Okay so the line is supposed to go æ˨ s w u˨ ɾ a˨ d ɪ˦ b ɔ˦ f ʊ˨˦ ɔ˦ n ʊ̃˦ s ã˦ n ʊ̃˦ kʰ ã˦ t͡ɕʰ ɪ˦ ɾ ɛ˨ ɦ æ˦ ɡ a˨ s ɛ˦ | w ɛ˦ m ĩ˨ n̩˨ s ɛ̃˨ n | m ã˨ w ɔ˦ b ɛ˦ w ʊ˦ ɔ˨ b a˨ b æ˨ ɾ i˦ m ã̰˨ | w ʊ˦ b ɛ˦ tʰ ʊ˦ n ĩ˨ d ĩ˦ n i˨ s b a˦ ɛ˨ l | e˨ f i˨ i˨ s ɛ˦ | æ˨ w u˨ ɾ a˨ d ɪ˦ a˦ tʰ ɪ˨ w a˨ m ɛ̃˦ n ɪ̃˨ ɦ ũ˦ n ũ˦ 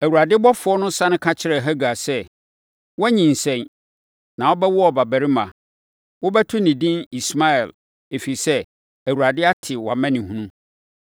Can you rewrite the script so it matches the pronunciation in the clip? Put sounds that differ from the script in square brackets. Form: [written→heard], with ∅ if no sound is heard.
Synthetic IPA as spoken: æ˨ [s→∅] w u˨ ɾ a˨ d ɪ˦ b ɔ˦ f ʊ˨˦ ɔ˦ n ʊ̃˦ s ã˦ n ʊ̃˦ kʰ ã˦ t͡ɕʰ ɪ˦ ɾ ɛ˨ ɦ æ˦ ɡ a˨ s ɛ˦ | w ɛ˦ [m→ɲ] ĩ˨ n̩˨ s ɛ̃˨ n | [m→n] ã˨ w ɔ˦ b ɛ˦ w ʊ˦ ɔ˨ b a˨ b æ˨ ɾ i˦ m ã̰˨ | w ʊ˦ b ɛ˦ tʰ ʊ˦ n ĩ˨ d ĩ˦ n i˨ s [b→m] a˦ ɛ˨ l | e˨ f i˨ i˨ s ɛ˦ | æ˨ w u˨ ɾ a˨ d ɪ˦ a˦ tʰ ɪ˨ w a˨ m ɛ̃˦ n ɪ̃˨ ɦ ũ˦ n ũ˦